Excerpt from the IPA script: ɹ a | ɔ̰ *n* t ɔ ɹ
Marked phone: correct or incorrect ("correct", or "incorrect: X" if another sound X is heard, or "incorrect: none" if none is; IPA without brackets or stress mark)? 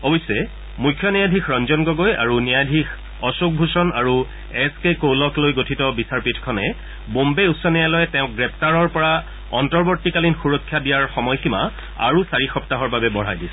correct